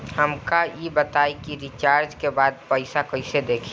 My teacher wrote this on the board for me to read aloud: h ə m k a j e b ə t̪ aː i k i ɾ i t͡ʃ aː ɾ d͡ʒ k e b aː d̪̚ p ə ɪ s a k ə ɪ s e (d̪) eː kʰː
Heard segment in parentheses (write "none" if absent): d̪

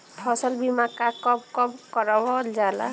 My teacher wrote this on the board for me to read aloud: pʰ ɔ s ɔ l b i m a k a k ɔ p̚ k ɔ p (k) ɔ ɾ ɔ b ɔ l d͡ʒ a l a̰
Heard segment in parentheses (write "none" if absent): k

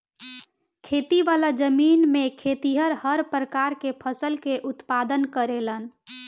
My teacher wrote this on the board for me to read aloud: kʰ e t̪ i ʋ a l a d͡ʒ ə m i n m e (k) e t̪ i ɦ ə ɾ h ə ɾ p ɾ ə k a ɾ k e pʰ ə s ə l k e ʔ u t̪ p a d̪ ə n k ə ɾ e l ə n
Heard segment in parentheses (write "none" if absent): kʰ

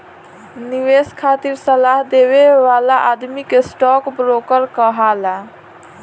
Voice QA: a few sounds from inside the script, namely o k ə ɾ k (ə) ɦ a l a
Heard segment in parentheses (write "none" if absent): ə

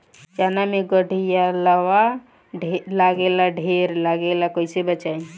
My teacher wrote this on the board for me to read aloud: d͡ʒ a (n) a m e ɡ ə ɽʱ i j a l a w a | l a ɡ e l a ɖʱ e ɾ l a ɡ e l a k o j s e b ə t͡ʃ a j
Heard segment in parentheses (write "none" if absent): n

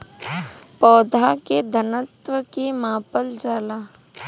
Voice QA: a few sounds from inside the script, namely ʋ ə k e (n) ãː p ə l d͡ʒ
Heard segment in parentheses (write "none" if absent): m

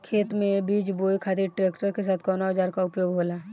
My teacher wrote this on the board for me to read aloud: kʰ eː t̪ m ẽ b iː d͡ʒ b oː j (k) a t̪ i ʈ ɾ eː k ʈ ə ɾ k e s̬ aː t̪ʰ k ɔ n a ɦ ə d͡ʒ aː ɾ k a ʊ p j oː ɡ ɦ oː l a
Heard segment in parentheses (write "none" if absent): kʰ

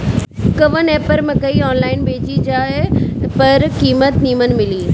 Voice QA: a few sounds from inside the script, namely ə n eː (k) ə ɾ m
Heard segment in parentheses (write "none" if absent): p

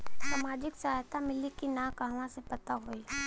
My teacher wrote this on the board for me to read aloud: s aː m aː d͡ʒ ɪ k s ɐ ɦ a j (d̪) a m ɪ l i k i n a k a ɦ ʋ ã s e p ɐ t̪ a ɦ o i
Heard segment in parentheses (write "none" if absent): t̪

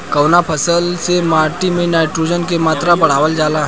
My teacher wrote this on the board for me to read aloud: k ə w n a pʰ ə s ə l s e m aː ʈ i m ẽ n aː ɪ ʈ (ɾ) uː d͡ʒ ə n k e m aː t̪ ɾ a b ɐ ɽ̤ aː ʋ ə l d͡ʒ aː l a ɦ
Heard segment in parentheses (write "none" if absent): ɾ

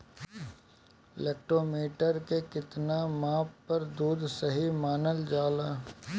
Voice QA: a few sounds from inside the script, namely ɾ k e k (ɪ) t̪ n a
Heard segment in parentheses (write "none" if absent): ɪ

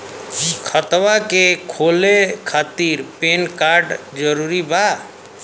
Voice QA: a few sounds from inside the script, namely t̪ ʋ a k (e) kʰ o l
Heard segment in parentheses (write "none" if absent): e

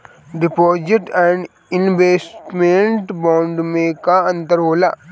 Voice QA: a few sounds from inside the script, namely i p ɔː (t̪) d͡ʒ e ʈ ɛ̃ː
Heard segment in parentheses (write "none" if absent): none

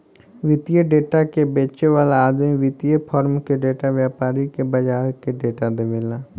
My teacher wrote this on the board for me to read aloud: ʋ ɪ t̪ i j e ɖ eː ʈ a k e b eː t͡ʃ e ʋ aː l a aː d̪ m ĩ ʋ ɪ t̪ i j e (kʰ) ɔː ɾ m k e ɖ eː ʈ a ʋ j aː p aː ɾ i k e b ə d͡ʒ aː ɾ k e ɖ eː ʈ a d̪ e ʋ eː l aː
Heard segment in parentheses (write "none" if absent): pʰ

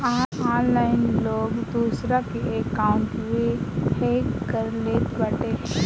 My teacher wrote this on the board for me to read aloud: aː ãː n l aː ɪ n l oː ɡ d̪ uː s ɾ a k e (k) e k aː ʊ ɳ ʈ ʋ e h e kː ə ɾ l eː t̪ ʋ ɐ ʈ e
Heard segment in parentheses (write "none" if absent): none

